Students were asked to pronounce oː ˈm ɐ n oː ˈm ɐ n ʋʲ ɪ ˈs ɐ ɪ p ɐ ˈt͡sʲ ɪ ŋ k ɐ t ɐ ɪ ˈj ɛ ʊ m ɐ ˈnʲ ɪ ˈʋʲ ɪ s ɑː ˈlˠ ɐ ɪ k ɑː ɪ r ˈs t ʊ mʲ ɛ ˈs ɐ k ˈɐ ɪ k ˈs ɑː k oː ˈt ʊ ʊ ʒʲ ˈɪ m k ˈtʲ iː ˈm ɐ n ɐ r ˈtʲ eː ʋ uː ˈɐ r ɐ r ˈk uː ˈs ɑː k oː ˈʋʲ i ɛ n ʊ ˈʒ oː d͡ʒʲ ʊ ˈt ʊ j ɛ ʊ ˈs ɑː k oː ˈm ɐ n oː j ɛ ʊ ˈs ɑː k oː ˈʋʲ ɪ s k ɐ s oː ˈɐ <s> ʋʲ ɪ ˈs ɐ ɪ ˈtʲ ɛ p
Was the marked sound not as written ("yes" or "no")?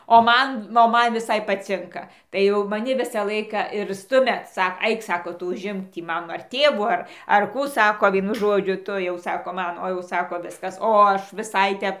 yes